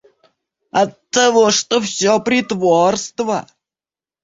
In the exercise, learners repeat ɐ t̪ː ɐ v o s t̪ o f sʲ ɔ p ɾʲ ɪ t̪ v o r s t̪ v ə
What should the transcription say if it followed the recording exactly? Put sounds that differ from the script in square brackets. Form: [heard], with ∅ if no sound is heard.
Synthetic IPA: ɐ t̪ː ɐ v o [ʂ] t̪ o f sʲ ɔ p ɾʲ ɪ t̪ v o r s t̪ v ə